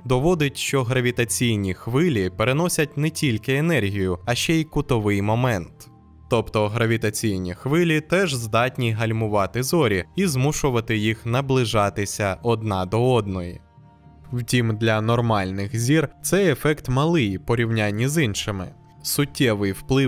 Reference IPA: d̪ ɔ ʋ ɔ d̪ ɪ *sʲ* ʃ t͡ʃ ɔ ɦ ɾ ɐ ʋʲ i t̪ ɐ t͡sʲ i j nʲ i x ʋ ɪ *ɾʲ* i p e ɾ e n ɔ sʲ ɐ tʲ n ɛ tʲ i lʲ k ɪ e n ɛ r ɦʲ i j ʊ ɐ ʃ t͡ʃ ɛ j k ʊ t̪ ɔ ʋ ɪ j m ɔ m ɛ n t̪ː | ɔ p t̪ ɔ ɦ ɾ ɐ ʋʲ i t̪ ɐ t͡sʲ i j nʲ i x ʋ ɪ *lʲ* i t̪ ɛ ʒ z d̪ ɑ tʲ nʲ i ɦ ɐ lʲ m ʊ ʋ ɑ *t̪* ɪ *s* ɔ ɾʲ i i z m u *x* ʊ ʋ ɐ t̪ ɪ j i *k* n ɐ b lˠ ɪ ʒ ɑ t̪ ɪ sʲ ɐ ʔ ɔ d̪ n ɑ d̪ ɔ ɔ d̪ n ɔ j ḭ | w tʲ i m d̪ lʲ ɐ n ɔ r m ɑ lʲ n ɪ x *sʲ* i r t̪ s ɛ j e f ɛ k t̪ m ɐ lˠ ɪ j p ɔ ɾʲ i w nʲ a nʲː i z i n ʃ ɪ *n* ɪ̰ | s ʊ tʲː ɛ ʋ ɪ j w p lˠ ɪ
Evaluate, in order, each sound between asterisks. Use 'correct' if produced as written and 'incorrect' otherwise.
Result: incorrect, incorrect, correct, correct, incorrect, incorrect, incorrect, incorrect, incorrect

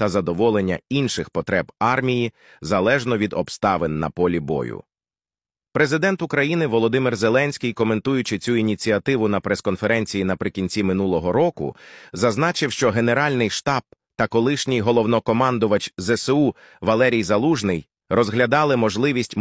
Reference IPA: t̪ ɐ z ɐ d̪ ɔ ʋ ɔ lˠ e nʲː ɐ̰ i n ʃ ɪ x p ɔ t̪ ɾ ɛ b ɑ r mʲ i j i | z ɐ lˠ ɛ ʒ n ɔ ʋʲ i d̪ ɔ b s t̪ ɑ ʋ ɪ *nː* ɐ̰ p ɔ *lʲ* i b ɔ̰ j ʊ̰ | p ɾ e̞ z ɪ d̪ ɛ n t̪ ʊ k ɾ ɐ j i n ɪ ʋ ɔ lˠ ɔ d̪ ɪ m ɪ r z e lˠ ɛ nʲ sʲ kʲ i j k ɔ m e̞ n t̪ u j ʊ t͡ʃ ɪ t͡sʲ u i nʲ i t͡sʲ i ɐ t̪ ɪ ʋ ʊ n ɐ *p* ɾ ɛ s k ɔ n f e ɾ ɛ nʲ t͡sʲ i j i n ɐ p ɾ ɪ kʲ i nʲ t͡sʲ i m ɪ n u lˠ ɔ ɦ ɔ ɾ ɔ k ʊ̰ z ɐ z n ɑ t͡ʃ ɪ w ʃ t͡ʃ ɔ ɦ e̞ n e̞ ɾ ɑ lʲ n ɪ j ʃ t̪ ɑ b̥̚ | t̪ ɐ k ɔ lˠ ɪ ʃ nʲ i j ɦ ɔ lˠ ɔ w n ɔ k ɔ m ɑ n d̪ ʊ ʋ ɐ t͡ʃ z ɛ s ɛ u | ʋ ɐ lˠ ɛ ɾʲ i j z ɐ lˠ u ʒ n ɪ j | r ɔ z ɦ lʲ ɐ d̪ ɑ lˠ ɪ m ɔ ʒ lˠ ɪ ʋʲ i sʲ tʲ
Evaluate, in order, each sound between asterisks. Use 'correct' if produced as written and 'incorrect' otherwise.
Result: correct, correct, correct

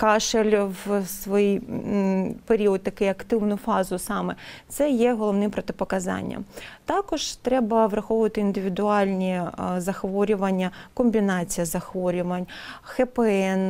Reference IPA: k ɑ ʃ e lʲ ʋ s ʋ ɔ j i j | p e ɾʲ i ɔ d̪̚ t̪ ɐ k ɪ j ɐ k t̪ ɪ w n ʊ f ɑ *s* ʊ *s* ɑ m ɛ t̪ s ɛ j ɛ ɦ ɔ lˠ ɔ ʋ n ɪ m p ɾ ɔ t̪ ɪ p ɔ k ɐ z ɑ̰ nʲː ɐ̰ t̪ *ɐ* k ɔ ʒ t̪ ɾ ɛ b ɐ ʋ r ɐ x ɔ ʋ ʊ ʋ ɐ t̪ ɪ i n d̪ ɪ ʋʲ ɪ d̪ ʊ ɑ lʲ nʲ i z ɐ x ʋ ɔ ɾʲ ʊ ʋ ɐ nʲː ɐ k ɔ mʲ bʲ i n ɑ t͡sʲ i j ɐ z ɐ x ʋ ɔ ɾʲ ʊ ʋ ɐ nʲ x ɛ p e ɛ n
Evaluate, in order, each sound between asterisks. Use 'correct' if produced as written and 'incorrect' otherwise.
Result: incorrect, correct, incorrect

